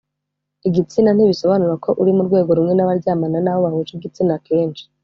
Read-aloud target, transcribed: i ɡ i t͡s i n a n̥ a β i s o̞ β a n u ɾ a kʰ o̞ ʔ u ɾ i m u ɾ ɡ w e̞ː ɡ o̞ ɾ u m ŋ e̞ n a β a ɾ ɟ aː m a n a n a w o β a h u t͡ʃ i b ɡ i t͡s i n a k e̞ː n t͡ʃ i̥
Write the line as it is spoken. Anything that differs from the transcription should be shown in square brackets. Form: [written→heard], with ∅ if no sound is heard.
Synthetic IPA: i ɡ i t͡s i n a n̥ [a→i] β i s o̞ β a n u ɾ a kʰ o̞ ʔ u ɾ i m u ɾ ɡ w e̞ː ɡ o̞ ɾ u m ŋ e̞ n a β a ɾ ɟ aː m a n a n a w o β a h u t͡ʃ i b ɡ i t͡s i n a k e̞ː n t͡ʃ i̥